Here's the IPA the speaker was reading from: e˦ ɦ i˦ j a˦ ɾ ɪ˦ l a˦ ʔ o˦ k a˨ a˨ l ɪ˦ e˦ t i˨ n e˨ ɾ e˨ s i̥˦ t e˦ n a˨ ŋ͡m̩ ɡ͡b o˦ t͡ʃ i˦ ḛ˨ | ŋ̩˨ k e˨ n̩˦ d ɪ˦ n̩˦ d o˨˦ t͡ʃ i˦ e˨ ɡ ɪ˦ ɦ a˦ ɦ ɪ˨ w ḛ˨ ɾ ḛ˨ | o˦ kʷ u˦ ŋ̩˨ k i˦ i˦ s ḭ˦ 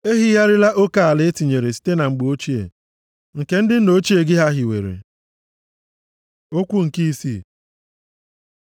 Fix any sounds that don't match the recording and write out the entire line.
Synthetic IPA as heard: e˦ ɦ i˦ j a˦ ɾ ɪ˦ l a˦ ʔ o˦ k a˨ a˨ l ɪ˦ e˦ t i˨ ɲ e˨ ɾ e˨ s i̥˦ t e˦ n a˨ ŋ͡m̩ ɡ͡b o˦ t͡ʃ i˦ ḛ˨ | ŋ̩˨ k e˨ n̩˦ d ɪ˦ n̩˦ n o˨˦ t͡ʃ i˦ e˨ ɡ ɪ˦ ɦ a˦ ɦ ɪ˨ w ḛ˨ ɾ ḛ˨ | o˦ kʷ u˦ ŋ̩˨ k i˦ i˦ s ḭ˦

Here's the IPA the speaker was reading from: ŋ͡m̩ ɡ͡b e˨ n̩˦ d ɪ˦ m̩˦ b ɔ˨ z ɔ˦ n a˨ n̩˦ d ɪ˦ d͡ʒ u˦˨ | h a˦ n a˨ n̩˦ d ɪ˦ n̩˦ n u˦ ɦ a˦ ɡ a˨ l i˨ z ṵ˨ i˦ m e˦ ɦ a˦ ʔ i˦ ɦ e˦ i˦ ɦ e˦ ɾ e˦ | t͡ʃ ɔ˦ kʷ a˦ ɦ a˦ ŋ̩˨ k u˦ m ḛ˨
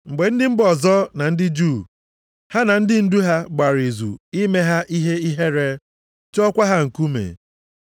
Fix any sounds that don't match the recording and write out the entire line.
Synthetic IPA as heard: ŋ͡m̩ ɡ͡b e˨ n̩˦ d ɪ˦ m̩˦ b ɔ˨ z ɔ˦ n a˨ n̩˦ d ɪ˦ d͡ʒ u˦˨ | h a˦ n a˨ n̩˦ d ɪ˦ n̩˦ d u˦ ɦ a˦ ɡ͡b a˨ ɾ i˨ z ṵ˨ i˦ m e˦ ɦ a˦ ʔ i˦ ɦ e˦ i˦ ɦ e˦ ɾ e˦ | t͡ʃ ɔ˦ kʷ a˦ ɦ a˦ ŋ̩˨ k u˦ m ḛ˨

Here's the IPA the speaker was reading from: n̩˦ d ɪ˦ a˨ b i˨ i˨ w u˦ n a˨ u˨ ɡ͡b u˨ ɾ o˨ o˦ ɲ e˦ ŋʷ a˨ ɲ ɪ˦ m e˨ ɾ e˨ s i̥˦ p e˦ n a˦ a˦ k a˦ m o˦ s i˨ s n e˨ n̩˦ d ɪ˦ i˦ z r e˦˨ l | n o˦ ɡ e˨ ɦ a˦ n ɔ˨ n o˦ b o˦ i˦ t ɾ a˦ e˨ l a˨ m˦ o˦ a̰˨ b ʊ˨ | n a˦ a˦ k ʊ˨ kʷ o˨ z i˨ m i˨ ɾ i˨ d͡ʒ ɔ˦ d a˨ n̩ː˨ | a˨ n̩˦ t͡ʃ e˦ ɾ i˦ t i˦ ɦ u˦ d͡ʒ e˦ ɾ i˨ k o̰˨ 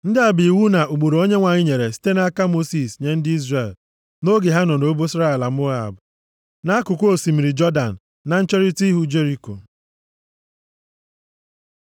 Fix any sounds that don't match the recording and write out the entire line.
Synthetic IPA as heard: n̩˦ d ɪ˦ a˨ b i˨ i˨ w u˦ n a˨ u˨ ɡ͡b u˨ ɾ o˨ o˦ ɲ e˦ ŋʷ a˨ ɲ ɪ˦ ɲ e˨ ɾ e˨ s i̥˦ t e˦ n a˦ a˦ k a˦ m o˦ s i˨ s ɲ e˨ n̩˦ d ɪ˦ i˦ z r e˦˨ l | n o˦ ɡ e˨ ɦ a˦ n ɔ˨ n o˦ b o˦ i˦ s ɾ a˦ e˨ l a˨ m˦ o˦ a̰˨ b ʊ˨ | n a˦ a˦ k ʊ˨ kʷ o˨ s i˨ m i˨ ɾ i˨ d͡ʒ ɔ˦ d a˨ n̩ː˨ | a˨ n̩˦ t͡ʃ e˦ ɾ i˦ t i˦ ɦ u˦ d͡ʒ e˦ ɾ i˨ k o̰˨

